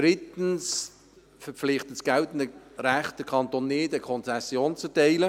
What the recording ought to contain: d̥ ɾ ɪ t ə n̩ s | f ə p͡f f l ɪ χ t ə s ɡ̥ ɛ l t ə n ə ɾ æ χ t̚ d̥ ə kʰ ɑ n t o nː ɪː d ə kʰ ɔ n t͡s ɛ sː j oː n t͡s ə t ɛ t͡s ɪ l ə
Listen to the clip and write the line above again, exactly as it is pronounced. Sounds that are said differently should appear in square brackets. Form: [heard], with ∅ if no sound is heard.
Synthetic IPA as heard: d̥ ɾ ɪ t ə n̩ s | f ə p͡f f l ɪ χ t ə s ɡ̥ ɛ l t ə n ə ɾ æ χ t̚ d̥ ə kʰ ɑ n t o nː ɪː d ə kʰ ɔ n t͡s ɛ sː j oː n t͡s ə t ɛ [∅] ɪ l ə